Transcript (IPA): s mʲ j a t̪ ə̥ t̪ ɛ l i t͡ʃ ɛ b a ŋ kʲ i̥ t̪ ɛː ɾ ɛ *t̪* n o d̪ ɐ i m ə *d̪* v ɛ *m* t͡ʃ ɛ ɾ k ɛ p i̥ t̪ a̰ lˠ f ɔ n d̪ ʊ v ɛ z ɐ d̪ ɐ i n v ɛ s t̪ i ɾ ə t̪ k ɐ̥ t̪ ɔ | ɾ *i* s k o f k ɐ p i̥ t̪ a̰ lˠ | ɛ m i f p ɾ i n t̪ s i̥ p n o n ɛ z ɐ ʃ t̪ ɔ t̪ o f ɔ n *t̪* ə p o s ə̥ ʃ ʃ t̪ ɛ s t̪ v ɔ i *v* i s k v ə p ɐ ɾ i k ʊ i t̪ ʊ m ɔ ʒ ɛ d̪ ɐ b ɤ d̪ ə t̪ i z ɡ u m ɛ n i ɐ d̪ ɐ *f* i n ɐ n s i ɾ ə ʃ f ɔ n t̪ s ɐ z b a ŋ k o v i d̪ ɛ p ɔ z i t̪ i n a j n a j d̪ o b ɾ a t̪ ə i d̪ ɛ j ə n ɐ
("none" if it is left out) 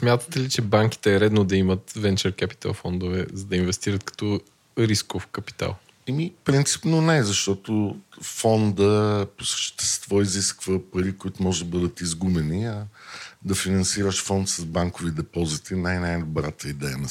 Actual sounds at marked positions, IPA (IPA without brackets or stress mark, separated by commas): d̪, t̪, n, i, d̪, z, f